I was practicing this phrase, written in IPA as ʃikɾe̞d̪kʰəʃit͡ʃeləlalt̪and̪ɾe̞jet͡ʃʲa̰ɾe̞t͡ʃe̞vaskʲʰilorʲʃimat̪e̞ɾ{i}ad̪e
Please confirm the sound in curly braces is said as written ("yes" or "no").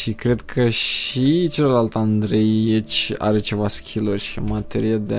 yes